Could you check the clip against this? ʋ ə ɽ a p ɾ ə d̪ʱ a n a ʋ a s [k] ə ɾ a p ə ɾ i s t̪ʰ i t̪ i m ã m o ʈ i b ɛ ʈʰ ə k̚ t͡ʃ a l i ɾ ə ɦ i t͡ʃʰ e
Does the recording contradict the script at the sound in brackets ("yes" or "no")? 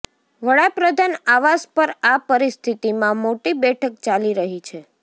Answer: yes